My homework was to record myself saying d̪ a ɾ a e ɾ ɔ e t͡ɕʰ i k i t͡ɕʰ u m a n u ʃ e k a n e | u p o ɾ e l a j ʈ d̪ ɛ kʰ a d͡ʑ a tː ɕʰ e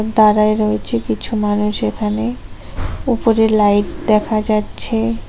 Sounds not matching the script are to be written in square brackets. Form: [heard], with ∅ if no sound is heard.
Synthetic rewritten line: d̪ a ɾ a e ɾ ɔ e t͡ɕʰ [e] k i t͡ɕʰ u m a n u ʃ e [kʰ] a n e | u p o ɾ e l a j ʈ d̪ ɛ kʰ a d͡ʑ a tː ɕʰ e